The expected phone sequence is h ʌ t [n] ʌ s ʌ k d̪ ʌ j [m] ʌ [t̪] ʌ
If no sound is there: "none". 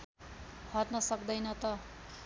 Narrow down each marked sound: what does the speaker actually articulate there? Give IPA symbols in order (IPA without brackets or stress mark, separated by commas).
n, n, t̪